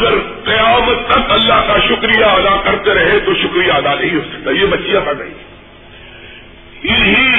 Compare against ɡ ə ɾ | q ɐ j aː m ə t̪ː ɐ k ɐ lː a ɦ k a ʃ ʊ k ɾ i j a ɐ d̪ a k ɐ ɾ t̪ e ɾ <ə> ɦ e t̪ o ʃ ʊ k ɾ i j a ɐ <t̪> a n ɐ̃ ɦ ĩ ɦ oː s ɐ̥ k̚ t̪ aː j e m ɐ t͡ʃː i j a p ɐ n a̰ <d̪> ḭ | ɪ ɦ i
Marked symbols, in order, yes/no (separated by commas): no, no, no